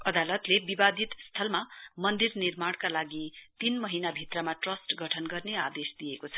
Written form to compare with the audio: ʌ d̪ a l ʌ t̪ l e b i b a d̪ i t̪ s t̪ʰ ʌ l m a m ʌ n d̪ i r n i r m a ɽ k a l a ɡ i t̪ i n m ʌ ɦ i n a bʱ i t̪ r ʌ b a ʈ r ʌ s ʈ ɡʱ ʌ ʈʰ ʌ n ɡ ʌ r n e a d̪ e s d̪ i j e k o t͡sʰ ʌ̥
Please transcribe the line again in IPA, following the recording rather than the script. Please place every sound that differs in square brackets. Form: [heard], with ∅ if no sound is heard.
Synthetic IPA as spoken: ʌ d̪ a l ʌ t̪ l e b i b a d̪ i t̪ s t̪ʰ ʌ l m a m ʌ n d̪ i r n i r m a ɽ k a l a ɡ i t̪ i n m ʌ ɦ i n a bʱ i t̪ r ʌ [m] a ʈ r ʌ s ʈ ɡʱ ʌ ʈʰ ʌ n ɡ ʌ r n e a d̪ e s d̪ i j e k o t͡sʰ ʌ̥